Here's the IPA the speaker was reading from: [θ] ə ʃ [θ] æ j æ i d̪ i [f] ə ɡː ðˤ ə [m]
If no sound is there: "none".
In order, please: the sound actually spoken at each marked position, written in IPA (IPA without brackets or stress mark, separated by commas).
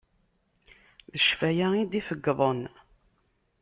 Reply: ð, f, f, n